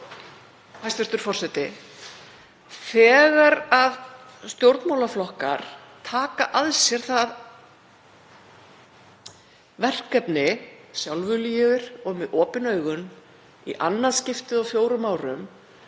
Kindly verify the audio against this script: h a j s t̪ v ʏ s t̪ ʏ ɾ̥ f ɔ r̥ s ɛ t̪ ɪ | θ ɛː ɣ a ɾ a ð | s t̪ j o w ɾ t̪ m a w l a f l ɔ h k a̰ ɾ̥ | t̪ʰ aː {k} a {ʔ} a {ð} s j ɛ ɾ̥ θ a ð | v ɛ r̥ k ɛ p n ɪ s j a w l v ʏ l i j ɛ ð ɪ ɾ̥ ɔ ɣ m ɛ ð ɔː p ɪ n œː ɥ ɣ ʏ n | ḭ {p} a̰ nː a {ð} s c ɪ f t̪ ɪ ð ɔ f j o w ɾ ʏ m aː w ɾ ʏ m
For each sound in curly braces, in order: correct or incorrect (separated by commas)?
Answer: correct, correct, correct, incorrect, correct